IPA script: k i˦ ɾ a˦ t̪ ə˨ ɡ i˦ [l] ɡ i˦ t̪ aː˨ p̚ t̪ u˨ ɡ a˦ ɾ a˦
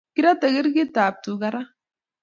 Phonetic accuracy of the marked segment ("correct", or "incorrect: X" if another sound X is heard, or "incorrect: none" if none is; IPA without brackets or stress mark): incorrect: ɾ